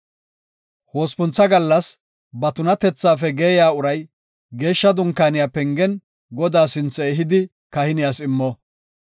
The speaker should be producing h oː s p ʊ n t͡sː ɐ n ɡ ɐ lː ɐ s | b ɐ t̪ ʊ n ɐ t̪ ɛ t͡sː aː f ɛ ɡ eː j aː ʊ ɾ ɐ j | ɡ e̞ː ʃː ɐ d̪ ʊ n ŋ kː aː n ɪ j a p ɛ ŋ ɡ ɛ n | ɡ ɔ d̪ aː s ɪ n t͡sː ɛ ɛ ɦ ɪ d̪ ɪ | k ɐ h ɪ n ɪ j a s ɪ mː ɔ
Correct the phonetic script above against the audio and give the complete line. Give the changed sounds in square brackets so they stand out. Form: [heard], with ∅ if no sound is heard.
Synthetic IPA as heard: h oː s p ʊ n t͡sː ɐ [∅] ɡ ɐ lː ɐ s | b ɐ t̪ ʊ n ɐ t̪ ɛ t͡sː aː f ɛ ɡ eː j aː ʊ ɾ ɐ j | ɡ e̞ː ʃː ɐ d̪ ʊ [∅] ŋ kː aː n ɪ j a p ɛ ŋ ɡ ɛ n | ɡ ɔ d̪ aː s ɪ n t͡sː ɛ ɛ ɦ ɪ d̪ ɪ | k ɐ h ɪ n ɪ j a s ɪ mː ɔ

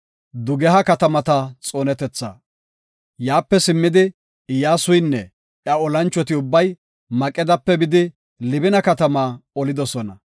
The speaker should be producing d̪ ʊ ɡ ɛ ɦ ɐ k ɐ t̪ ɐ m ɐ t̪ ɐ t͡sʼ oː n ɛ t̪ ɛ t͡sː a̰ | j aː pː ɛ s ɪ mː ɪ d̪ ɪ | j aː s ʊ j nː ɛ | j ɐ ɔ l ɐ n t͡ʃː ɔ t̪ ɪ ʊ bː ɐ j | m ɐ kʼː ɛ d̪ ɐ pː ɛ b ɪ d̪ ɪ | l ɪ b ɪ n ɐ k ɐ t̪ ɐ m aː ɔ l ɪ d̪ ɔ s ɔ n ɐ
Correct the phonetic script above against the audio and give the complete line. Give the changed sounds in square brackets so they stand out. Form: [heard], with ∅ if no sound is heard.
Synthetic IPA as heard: d̪ ʊ ɡ ɛ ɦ ɐ k ɐ t̪ ɐ m ɐ t̪ ɐ t͡sʼ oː n ɛ t̪ ɛ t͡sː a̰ | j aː pː ɛ s ɪ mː ɪ d̪ ɪ | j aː s ʊ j nː ɛ | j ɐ ɔ l ɐ n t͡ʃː ɔ t̪ ɪ ʊ bː ɐ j | m ɐ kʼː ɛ d̪ ɐ pː ɛ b ɪ d̪ ɪ | l ɪ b ɪ n ɐ k ɐ t̪ ɐ m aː ɔ l ɪ d̪ ɔ s ɔ n ɐ

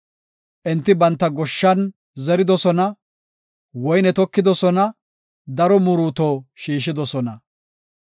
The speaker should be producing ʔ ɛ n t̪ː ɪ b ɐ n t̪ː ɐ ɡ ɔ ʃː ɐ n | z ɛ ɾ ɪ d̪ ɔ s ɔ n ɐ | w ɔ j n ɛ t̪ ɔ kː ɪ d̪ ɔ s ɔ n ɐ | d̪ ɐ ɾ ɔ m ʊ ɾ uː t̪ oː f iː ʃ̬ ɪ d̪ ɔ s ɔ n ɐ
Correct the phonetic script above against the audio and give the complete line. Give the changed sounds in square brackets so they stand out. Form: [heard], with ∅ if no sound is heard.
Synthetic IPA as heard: ʔ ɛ n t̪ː ɪ b ɐ n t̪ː ɐ ɡ ɔ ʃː ɐ n | z ɛ ɾ ɪ d̪ ɔ s ɔ n ɐ | w ɔ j n ɛ t̪ ɔ kː ɪ d̪ ɔ s ɔ n ɐ | d̪ ɐ ɾ ɔ m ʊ ɾ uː t̪ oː [ʃ] iː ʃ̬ ɪ d̪ ɔ s ɔ n ɐ

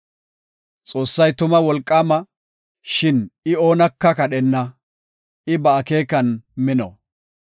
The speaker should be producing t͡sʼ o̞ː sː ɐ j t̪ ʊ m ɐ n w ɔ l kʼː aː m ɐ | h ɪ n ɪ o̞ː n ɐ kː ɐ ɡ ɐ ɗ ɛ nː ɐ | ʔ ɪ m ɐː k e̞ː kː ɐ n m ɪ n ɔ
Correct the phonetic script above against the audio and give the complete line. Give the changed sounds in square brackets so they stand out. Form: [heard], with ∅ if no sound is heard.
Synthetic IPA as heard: t͡sʼ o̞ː sː ɐ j t̪ ʊ m ɐ [∅] w ɔ l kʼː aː m ɐ | [ʃ] ɪ n ɪ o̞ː n ɐ kː ɐ [k] ɐ ɗ ɛ nː ɐ | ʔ ɪ [b] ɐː k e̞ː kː ɐ n m ɪ n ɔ

